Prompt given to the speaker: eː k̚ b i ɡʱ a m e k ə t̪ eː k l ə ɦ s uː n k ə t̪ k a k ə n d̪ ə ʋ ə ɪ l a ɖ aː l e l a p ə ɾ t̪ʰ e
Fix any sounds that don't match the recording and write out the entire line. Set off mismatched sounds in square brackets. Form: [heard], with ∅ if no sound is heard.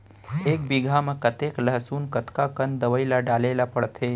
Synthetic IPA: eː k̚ b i ɡʱ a m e k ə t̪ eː k l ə ɦ s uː n k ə t̪ k a k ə n d̪ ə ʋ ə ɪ l a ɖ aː l e l a p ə [ɽ] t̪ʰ e